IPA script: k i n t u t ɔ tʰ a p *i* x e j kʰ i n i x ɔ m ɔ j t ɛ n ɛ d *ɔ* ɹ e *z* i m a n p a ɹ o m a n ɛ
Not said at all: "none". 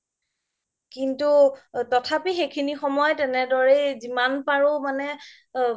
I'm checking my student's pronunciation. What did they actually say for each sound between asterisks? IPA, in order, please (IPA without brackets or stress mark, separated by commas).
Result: i, ɔ, z